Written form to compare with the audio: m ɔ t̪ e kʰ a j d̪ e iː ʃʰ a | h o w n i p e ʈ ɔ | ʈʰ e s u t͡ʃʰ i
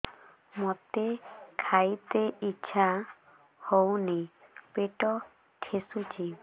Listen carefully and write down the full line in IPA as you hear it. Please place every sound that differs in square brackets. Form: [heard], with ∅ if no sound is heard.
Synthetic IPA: m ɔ t̪ e kʰ a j [t̪] e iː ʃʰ a | h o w n i p e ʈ ɔ | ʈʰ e s u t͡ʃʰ i

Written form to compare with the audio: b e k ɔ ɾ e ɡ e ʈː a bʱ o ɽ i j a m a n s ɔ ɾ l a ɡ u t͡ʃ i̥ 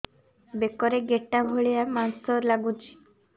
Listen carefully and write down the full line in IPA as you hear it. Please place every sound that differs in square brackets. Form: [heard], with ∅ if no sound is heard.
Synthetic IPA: b e k ɔ ɾ e ɡ e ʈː a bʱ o [ɭ] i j a m a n s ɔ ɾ l a ɡ u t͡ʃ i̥

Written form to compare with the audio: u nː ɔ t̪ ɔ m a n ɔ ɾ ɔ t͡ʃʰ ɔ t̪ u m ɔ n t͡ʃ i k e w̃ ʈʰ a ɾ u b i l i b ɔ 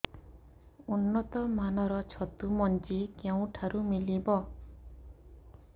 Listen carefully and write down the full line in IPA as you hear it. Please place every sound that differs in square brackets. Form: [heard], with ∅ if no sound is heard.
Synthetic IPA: u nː ɔ t̪ ɔ m a n ɔ ɾ ɔ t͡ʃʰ ɔ t̪ u m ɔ n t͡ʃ i k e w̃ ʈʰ a ɾ u [m] i l i b ɔ

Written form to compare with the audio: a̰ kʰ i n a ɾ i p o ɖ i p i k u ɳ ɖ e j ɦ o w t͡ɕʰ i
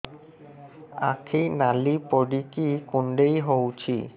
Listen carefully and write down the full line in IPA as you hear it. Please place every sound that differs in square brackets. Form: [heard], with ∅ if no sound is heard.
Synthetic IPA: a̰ kʰ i n a [l] i p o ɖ i [k] i k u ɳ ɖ e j ɦ o w t͡ɕʰ i

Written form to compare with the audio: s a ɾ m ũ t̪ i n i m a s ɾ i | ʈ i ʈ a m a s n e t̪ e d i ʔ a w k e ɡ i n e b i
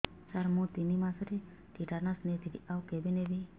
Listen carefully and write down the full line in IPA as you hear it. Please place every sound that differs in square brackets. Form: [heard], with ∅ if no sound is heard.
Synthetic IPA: s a ɾ m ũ t̪ i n i m a s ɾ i | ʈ i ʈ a [n] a s n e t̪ [i] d i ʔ a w k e [b] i n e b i

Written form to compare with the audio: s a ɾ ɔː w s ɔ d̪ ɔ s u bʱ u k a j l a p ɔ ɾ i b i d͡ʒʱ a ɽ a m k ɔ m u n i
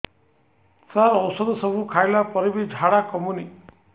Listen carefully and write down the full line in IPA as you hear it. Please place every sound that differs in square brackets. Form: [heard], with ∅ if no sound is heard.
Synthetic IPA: s a ɾ [ɔ] w s ɔ d̪ ɔ s [ɔ] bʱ u [kʰ] a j l a p ɔ ɾ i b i d͡ʒʱ a ɽ a [∅] k ɔ m u n i

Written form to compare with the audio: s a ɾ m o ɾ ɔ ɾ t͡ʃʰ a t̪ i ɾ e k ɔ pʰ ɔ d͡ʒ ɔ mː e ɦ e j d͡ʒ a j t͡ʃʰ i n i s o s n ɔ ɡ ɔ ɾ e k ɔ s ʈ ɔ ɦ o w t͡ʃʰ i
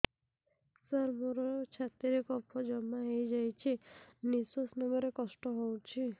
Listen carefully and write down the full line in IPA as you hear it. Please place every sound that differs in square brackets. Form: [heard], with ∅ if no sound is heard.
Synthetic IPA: s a ɾ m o ɾ ɔ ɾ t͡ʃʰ a t̪ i ɾ e k ɔ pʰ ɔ d͡ʒ ɔ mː [a] ɦ e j d͡ʒ a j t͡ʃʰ i n i s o s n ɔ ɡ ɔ ɾ e k ɔ s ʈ ɔ ɦ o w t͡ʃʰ i

